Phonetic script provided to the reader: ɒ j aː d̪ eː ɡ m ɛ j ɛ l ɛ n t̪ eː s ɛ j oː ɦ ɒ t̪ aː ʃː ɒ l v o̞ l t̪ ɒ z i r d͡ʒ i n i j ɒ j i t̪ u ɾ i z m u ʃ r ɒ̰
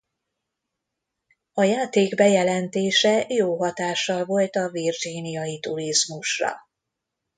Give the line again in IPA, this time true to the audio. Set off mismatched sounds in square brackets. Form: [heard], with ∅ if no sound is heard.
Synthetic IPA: ɒ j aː [t̪] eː ɡ [b] ɛ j ɛ l ɛ n t̪ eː [ʃ] ɛ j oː ɦ ɒ t̪ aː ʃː ɒ l v o̞ l t̪ ɒ [v] i r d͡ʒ i n i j ɒ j i t̪ u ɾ i z m u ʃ r ɒ̰